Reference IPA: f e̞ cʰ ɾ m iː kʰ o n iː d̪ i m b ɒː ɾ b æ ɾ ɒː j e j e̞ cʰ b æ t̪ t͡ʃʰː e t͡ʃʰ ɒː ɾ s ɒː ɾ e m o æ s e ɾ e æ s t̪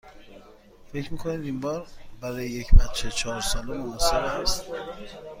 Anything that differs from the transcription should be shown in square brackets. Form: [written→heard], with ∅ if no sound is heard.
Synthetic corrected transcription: f e̞ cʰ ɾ m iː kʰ o n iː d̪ i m b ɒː ɾ b æ ɾ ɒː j e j e̞ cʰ b æ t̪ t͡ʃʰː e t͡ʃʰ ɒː ɾ s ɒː [ɾ→l] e m o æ s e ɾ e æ s t̪